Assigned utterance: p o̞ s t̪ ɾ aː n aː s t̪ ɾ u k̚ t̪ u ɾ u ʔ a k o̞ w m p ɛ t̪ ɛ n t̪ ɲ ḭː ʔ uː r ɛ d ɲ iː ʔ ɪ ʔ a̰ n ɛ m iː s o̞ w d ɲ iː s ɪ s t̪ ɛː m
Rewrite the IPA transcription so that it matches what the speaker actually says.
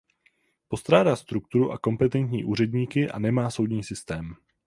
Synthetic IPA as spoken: p o̞ s t̪ ɾ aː d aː s t̪ ɾ u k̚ t̪ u ɾ u ʔ a k o̞ m p ɛ t̪ ɛ n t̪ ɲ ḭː ʔ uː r ɛ d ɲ iː k ɪ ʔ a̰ n ɛ m aː s o̞ w d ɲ iː s ɪ s t̪ ɛː m